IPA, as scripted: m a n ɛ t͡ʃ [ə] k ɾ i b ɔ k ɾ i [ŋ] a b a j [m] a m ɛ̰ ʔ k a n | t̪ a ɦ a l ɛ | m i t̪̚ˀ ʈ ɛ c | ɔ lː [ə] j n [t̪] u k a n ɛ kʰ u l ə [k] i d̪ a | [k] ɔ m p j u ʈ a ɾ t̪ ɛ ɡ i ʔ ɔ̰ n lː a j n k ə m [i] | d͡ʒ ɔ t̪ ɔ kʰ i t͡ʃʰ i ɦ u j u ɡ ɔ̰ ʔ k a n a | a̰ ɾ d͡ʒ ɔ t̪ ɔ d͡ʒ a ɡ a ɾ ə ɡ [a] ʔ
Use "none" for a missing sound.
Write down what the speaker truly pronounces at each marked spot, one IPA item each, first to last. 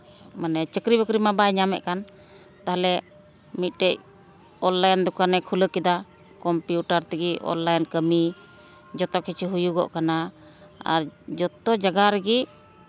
ə, m, ɲ, a, d̪, k, k, i, i

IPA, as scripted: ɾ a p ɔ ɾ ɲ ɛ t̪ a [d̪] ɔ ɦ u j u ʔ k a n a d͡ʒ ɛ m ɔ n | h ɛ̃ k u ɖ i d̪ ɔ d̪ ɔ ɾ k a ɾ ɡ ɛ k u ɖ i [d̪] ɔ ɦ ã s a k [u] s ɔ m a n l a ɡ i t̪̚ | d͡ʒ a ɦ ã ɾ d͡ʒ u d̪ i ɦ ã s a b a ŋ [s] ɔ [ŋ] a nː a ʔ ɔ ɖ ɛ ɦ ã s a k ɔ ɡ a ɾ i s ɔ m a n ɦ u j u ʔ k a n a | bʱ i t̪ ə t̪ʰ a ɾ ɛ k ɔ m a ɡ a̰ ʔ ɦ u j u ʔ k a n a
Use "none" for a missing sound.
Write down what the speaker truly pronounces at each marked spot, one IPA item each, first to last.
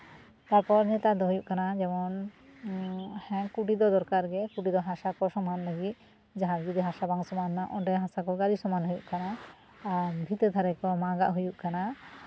d̪, d̪, ɔ, s, m

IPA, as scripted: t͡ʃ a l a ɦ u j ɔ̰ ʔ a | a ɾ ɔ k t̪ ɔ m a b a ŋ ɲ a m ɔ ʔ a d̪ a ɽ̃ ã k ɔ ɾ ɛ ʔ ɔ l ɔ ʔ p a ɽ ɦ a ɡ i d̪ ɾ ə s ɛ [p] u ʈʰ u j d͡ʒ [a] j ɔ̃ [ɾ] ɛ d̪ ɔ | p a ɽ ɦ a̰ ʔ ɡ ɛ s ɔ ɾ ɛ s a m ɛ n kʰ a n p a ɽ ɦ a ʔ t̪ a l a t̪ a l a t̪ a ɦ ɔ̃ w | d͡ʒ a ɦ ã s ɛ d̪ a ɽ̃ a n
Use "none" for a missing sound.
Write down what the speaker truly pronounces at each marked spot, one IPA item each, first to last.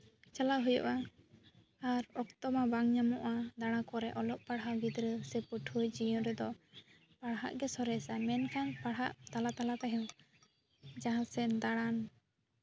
p, i, ɾ

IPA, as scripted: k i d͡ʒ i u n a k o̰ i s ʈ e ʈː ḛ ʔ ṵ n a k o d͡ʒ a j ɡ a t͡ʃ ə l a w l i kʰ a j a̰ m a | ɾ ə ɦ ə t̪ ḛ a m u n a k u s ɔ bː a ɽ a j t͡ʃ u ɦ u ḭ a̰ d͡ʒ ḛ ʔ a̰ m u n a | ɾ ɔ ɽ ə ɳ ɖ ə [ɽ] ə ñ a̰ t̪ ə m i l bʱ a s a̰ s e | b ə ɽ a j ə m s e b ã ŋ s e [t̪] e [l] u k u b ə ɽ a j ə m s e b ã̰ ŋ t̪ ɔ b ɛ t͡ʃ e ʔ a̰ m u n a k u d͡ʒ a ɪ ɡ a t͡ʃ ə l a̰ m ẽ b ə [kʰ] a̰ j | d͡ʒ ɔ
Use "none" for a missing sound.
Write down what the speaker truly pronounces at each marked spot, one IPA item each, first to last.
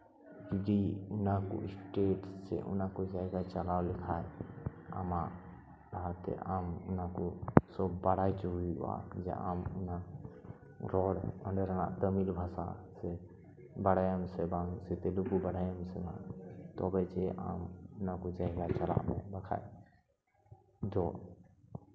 ɾ, t̪, l, kʰ

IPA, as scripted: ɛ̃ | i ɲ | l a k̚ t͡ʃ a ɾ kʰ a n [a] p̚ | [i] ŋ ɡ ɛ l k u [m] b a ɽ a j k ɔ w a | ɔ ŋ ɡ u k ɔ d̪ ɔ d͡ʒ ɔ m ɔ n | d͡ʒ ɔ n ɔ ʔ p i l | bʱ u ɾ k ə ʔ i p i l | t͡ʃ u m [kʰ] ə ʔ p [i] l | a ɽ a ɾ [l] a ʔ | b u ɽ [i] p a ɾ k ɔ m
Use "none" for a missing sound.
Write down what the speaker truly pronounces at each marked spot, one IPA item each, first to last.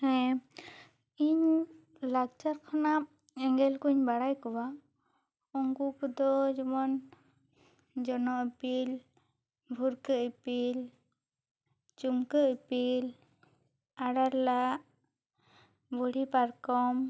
a, ɛ, ɲ, k, i, l, i

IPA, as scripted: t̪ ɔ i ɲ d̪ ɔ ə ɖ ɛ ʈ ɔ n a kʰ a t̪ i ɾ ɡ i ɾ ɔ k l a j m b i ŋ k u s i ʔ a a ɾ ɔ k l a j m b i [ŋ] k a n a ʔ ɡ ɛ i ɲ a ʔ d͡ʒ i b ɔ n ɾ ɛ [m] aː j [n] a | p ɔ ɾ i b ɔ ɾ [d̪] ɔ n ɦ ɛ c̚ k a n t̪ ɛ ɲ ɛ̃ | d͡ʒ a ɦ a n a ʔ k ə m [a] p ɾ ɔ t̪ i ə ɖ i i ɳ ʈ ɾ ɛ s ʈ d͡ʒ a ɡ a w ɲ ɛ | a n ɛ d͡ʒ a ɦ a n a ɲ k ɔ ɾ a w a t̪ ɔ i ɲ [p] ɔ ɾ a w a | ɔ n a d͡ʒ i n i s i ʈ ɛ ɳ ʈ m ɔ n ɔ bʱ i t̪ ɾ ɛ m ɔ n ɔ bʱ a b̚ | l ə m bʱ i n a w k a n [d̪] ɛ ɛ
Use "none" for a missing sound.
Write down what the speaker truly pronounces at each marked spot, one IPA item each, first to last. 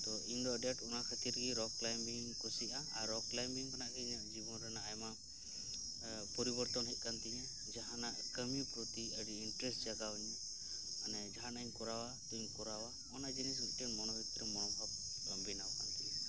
ŋ, n, m, t̪, i, k, t̪

